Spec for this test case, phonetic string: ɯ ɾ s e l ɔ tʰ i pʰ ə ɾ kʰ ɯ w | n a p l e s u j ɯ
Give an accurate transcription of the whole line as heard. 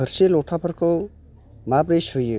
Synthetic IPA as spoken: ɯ ɾ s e l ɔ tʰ a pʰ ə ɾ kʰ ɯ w | m a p ɾ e s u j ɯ